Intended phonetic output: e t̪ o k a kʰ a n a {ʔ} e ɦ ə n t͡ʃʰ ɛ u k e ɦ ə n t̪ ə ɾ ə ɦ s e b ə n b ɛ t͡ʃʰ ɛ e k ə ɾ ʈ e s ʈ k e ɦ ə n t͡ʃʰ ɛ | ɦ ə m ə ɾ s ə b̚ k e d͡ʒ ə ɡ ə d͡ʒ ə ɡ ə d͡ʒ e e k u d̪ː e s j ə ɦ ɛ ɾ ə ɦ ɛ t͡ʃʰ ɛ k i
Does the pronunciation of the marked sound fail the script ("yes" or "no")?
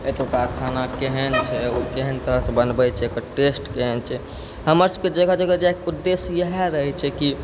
yes